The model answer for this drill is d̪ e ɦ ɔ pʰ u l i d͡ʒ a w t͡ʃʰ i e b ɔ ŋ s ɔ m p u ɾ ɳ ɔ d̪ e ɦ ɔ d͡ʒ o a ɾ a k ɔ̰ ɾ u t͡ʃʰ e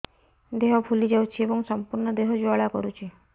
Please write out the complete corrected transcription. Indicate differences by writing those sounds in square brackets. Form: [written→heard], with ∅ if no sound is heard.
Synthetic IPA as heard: d̪ e ɦ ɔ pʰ u l i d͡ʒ a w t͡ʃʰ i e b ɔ ŋ s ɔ m p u ɾ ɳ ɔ d̪ e ɦ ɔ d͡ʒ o a [ɾ→ɭ] a k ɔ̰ ɾ u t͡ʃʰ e